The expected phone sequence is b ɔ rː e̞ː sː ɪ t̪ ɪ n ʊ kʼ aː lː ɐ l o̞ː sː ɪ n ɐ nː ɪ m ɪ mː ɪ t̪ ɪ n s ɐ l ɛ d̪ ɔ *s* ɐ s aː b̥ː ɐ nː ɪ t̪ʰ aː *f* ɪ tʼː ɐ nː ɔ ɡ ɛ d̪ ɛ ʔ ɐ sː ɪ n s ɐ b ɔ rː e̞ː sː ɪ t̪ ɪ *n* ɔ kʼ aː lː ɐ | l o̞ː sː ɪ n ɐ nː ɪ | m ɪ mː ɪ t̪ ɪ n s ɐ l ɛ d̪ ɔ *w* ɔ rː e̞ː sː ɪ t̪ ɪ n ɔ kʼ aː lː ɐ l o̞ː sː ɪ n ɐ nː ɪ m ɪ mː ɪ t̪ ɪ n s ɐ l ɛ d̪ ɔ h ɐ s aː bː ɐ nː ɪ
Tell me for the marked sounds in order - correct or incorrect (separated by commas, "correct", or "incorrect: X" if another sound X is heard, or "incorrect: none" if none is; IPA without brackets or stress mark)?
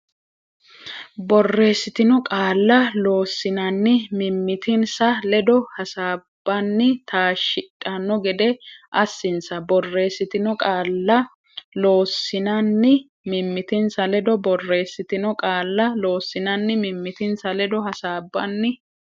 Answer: incorrect: h, incorrect: ʃ, correct, incorrect: b